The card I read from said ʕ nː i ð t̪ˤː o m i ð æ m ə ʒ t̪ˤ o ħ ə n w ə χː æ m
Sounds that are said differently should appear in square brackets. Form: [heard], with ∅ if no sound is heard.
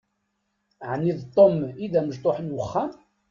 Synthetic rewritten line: ʕ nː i ð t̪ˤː o m i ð æ m ə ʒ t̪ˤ o ħ ə n w ə χː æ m